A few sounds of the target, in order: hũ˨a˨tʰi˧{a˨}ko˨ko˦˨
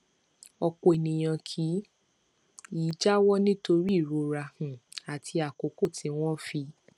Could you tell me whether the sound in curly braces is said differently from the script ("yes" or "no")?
no